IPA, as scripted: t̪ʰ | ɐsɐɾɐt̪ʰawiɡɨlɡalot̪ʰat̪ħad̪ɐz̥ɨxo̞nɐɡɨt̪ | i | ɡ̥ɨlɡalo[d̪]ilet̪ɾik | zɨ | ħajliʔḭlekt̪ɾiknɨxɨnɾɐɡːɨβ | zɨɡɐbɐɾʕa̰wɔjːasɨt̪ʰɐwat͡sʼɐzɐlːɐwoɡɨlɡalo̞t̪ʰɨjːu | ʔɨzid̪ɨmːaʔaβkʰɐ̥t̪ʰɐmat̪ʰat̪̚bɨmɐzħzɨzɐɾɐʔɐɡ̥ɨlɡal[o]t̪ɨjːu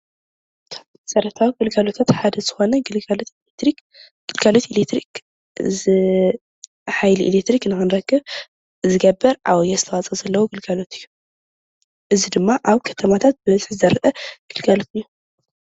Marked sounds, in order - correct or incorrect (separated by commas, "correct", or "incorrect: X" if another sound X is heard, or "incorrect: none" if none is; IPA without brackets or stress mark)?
incorrect: t̪, correct